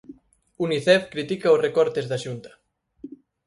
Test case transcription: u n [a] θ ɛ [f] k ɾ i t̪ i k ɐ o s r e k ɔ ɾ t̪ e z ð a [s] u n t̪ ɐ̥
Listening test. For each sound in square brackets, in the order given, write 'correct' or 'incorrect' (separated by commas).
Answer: incorrect, correct, incorrect